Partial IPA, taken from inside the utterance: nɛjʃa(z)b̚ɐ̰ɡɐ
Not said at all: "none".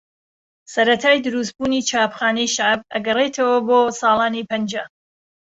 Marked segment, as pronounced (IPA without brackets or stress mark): ʕ